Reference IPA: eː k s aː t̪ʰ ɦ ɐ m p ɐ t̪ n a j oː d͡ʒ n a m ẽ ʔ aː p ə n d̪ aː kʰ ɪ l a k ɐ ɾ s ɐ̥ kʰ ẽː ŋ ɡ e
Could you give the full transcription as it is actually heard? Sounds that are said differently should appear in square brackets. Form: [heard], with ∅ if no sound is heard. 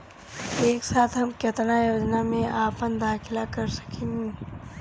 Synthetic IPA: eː k s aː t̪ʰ ɦ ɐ m [k] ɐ t̪ n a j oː d͡ʒ n a m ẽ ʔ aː p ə n d̪ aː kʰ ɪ l a k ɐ ɾ s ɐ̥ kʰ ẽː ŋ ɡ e